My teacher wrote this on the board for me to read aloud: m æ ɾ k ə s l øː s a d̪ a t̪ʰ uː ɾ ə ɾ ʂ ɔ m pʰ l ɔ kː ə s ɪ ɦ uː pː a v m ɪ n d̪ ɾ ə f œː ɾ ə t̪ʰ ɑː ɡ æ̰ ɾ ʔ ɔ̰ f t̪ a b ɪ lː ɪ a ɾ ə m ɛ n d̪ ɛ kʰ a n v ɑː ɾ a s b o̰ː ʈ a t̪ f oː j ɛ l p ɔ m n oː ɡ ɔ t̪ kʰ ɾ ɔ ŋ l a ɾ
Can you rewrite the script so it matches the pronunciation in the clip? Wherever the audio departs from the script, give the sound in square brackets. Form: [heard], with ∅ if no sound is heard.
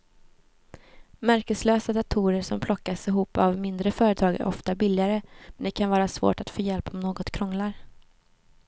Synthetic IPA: m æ ɾ k ə s l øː s a d̪ a t̪ʰ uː ɾ ə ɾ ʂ ɔ m pʰ l ɔ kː [a] s ɪ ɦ uː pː a v m ɪ n d̪ ɾ ə f œː ɾ ə t̪ʰ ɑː ɡ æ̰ ɾ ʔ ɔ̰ f t̪ a b ɪ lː ɪ a ɾ ə m ɛ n d̪ ɛ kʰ a n v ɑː ɾ a s [v] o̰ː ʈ a t̪ f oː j ɛ l p ɔ m n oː ɡ ɔ t̪ kʰ ɾ ɔ ŋ l a ɾ